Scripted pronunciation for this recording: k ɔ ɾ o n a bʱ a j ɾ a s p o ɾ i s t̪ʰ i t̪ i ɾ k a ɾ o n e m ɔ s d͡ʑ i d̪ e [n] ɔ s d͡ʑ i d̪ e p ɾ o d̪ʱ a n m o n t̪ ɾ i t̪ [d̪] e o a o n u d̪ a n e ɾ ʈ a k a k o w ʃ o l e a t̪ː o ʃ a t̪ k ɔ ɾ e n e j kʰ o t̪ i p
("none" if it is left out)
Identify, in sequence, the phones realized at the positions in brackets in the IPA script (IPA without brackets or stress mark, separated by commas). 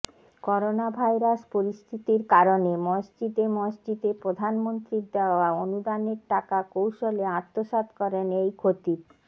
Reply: m, d̪